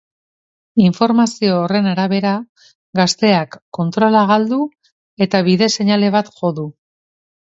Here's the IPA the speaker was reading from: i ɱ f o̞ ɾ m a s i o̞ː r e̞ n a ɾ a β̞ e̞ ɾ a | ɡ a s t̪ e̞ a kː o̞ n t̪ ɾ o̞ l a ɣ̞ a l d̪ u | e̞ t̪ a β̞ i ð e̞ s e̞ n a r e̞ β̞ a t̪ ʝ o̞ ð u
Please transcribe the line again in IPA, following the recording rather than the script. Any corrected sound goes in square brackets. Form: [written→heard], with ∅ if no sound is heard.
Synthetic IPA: i ɱ f o̞ ɾ m a s i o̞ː r e̞ n a ɾ a β̞ e̞ ɾ a | ɡ a s t̪ e̞ a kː o̞ n t̪ ɾ o̞ l a ɣ̞ a l d̪ u | e̞ t̪ a β̞ i ð e̞ s e̞ [n→ɲ] a [r→l] e̞ β̞ a t̪ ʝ o̞ ð u